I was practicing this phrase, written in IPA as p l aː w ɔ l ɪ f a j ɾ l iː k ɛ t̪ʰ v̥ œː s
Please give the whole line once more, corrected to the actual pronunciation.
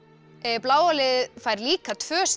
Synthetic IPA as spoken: p l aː w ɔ l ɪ f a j ɾ l iː k a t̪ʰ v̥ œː s

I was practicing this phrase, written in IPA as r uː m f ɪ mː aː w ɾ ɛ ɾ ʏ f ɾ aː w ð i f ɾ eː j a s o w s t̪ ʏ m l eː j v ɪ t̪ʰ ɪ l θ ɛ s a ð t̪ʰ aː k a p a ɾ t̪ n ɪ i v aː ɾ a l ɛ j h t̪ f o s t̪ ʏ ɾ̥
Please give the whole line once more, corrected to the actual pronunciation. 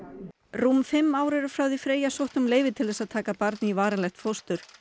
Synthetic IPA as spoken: r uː m f ɪ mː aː w ɾ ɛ ɾ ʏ f ɾ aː w ð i f ɾ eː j a s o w h t̪ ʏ m l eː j v ɪ t̪ʰ ɪ l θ ɛ s a ð t̪ʰ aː k a p a ɾ t̪ n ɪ i v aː ɾ a l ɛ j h t̪ f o s t̪ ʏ ɾ̥

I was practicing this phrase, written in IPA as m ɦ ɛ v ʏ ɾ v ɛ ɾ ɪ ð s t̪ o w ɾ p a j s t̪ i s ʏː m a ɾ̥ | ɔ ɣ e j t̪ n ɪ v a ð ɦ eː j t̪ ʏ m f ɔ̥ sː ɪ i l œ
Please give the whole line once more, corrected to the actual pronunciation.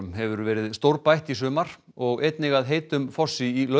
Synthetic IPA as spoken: m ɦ ɛ v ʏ ɾ v ɛː ɾ ɪ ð s t̪ o w ɾ p a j h t̪ i s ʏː m a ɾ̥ | ɔ ɣ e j t̪ n ɪ ɣ a ð ɦ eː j t̪ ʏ m f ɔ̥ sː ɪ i l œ

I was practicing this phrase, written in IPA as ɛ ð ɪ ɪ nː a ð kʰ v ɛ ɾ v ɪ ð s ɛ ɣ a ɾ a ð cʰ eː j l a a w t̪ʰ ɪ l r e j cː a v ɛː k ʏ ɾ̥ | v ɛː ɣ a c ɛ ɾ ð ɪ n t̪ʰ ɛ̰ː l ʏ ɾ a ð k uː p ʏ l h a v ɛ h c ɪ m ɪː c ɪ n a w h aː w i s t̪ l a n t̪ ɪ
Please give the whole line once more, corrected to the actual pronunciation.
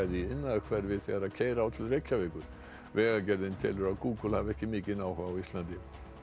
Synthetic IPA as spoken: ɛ ð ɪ ɪ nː a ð kʰ v ɛ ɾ v ɪ ð θ ɛ ɣ a ɾ a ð cʰ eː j ɾ a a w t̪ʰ ɪ l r e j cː a v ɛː k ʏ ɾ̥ | v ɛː ɣ a c ɛ ɾ ð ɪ n t̪ʰ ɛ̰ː l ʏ ɾ a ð k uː k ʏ l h a v ɛ h c ɪ m ɪː c ɪ n a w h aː w i s t̪ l a n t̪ ɪ

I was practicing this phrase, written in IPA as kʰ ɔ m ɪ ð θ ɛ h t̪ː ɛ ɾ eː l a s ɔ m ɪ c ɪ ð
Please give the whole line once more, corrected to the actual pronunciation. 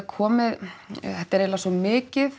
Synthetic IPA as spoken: kʰ ɔː m ɪ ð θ ɛ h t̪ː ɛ ɾ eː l a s ɔ m ɪː c ɪ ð

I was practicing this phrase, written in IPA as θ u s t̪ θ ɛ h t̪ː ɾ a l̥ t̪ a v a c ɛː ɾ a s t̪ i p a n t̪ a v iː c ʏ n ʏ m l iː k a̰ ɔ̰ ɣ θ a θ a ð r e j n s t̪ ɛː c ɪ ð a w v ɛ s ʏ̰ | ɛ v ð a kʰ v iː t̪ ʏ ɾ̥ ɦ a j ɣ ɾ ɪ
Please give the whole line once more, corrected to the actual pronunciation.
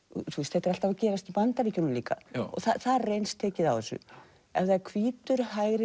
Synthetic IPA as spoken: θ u s t̪ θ ɛ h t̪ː ɾ a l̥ t̪ a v a c ɛː ɾ a s t̪ i p a n t̪ a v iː c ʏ n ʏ m l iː k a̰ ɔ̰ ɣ θ a θ a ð r e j n s t̪ʰ ɛː c ɪ ð a w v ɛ s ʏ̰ | ɛ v ð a kʰ v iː t̪ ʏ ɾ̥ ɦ a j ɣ ɾ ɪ

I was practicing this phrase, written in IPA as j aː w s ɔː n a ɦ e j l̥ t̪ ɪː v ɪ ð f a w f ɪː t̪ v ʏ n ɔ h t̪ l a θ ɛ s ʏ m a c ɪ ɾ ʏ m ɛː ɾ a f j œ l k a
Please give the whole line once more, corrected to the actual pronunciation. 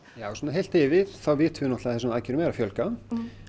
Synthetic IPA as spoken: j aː w s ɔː n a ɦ e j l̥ t̪ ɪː v ɪ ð θ a w v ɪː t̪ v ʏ n ɔ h t̪ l a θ ɛ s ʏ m a c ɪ ɾ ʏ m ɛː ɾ a f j œ l k a

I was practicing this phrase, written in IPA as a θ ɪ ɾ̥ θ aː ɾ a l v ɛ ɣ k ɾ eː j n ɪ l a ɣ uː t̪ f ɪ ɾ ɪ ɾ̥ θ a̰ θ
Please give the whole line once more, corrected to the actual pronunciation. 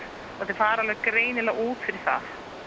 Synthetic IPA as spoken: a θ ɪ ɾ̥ f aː ɾ a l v ɛ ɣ k ɾ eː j n ɪ l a ɣ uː t̪ f ɪ ɾ ɪ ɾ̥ θ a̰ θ

